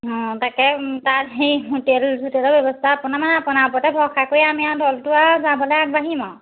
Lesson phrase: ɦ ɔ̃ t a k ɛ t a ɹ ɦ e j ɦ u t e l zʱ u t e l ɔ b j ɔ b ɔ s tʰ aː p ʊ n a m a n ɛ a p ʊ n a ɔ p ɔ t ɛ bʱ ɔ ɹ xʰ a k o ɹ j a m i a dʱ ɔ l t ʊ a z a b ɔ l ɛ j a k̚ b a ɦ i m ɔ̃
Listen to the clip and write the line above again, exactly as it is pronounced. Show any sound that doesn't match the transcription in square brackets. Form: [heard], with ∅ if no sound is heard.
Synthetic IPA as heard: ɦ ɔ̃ t a k ɛ t a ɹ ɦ e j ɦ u t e l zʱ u t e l ɔ b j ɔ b ɔ s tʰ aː p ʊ n a m a n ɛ a p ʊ n a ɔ p ɔ t ɛ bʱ ɔ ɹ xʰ a k o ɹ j a m i a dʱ ɔ l t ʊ a z a b ɔ l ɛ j a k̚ b a ɦ i m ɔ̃

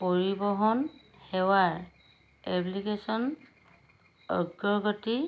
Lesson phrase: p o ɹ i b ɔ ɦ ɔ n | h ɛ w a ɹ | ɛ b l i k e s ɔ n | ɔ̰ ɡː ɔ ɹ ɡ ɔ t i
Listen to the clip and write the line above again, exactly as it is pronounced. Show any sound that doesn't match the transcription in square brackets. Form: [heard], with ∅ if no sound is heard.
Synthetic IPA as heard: p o ɹ i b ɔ ɦ ɔ n | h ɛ w a ɹ | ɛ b l i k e s ɔ n | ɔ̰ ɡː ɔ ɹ ɡ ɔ t i

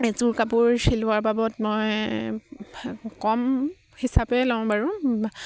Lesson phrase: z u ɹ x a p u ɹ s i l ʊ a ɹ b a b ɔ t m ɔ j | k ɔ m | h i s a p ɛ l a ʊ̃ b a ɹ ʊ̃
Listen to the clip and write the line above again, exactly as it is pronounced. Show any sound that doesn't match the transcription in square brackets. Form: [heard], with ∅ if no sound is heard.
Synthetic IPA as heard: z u ɹ [k] a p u ɹ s i l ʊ a ɹ b a b ɔ t m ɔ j | k ɔ m | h i s a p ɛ l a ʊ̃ b a ɹ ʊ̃

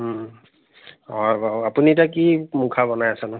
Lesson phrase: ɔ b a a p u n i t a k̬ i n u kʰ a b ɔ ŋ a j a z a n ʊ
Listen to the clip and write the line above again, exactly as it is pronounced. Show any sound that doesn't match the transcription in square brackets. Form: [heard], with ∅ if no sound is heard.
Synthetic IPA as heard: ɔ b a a p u n i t a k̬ i [m] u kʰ a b ɔ [n] a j a [s] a n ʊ

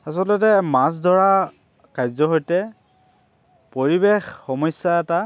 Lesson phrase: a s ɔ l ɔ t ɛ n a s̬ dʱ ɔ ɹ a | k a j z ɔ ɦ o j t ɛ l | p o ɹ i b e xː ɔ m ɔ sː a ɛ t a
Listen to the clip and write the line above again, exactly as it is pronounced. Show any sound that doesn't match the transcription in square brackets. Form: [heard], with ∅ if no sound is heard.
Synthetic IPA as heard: a s ɔ l ɔ t ɛ [m] a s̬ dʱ ɔ ɹ a | k a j z ɔ ɦ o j t ɛ [∅] | p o ɹ i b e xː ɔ m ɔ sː a ɛ t a

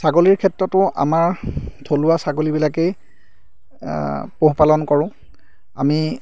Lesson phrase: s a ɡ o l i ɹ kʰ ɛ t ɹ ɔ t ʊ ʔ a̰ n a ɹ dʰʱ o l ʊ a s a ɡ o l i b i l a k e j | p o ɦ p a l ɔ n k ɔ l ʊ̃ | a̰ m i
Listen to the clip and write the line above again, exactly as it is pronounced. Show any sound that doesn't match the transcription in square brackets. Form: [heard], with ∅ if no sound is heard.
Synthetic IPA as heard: s a ɡ o l i ɹ kʰ ɛ t ɹ ɔ t ʊ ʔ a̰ [m] a ɹ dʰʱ o l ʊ a s a ɡ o l i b i l a k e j | p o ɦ p a l ɔ n k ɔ [ɹ] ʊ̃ | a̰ m i

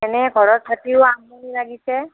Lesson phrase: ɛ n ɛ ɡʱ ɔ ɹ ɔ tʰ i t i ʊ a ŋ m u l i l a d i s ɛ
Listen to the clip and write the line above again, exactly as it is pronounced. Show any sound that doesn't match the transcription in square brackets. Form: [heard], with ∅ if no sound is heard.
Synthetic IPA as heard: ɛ n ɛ ɡʱ ɔ ɹ ɔ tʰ [a] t i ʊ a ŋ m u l i l a [ɡ] i s ɛ

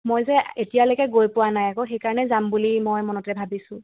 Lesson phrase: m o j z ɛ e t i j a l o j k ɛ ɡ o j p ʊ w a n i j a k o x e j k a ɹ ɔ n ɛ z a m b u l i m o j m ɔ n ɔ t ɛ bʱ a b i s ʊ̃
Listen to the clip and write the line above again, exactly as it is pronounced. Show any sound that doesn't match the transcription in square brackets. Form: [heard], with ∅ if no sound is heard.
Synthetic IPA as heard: m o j z ɛ e t i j a l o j k ɛ ɡ o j p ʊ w a n [a] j a k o x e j k a ɹ ɔ n ɛ z a m b u l i m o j m ɔ n ɔ t ɛ bʱ a b i s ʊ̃

